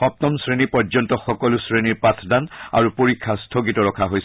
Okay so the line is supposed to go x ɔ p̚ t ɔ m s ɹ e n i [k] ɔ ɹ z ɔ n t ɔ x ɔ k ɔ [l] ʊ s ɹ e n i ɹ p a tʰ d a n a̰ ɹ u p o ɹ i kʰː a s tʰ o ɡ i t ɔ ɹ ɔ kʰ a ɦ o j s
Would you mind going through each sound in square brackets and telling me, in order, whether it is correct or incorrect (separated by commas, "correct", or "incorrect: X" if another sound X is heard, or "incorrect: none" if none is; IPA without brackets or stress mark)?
incorrect: p, correct